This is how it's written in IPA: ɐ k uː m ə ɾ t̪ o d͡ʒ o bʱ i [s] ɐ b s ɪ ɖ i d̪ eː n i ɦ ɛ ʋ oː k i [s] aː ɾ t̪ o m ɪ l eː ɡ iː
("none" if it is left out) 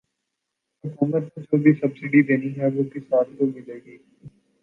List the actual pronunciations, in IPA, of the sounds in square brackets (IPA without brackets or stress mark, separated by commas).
s, s